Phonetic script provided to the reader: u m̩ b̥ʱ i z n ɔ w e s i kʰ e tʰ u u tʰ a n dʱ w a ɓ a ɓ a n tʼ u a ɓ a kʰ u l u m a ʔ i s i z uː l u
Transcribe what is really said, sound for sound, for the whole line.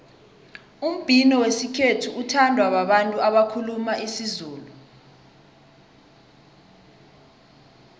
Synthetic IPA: u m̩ b̥ʱ i n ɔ w e s i kʰ e tʰ u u tʰ a n dʱ w a ɓ a ɓ a n tʼ u a ɓ a kʰ u l u m a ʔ i s i z uː l u